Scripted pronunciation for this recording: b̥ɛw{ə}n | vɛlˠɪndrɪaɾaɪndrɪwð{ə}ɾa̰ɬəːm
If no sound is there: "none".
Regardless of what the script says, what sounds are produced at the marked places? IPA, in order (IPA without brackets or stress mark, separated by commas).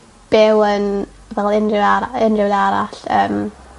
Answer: ə, a